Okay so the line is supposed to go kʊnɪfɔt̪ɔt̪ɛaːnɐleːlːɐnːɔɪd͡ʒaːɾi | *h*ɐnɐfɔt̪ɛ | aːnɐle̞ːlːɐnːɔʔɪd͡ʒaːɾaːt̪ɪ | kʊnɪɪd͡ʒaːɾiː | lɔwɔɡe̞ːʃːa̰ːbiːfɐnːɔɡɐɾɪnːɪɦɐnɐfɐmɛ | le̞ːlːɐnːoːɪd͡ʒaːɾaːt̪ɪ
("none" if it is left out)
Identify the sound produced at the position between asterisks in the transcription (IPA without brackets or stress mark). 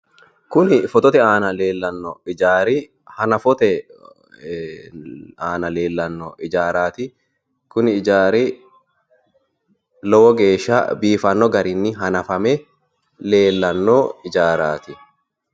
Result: h